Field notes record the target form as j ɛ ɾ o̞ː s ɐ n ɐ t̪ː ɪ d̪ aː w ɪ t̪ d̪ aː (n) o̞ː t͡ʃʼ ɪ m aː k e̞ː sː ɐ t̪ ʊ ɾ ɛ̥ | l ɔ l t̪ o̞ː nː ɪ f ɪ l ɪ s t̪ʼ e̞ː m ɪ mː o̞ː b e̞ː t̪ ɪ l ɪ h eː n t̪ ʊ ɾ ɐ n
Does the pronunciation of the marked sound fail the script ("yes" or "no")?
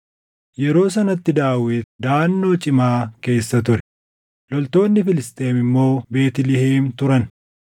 yes